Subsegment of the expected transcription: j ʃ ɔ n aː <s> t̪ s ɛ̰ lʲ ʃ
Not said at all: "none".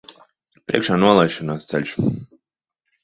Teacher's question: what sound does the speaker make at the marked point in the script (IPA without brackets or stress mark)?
s